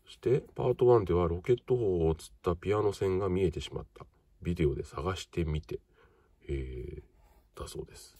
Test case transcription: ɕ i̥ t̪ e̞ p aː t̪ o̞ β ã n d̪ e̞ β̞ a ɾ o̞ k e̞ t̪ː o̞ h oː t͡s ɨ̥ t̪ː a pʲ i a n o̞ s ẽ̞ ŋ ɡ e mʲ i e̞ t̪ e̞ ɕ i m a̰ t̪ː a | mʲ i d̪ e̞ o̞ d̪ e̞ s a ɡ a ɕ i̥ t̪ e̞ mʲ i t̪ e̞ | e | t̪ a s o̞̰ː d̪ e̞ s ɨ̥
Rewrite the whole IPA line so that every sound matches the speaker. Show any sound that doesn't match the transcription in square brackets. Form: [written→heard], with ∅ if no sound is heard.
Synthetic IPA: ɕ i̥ t̪ e̞ p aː t̪ o̞ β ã n d̪ e̞ β̞ a ɾ o̞ k e̞ t̪ː o̞ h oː t͡s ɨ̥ t̪ː a pʲ i a n o̞ s ẽ̞ ŋ ɡ [e→a] mʲ i e̞ t̪ e̞ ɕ i m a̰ t̪ː a | [mʲ→bʲ] i d̪ e̞ o̞ d̪ e̞ s a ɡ a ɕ i̥ t̪ e̞ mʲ i t̪ e̞ | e | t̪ a s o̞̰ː d̪ e̞ s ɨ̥